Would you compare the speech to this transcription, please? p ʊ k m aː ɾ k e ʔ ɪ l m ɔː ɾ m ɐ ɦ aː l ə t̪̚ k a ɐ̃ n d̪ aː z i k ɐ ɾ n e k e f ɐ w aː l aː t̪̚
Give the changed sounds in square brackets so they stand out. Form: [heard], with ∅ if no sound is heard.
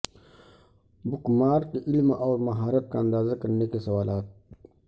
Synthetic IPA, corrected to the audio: [b] ʊ k m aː ɾ k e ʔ ɪ l m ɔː ɾ m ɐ ɦ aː [ɾ] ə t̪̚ k a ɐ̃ n d̪ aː z [a] k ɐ ɾ n e k e [s] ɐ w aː l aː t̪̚